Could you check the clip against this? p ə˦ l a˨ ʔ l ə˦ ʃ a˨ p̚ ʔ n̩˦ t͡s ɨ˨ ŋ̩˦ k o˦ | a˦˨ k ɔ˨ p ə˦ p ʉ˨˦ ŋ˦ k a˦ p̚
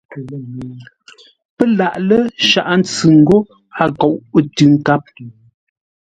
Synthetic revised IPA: p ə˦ l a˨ ʔ l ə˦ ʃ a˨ ʔ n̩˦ t͡s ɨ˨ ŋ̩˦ ɡ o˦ | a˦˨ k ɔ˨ ʔ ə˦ t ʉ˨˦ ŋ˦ k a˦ p̚